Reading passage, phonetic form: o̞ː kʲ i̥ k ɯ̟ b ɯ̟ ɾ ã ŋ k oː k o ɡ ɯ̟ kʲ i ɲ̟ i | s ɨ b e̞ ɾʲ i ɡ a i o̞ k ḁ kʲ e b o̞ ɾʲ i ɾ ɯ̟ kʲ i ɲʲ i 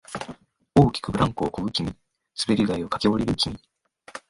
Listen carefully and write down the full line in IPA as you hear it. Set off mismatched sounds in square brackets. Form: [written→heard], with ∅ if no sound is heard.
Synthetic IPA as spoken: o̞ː kʲ i̥ k ɯ̟ b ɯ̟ ɾ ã ŋ k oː k o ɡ ɯ̟ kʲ i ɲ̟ i | s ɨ b e̞ ɾʲ i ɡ a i o̞ k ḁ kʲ e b o̞ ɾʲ i ɾ ɯ̟ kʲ i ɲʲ i